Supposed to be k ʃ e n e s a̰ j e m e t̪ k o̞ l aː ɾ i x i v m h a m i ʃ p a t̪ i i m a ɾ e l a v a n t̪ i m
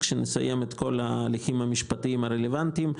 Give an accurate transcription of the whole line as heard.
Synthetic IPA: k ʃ e n e s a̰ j e m e t̪ k o̞ l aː l i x i m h a m i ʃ p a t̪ i i m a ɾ e l e v a n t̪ i m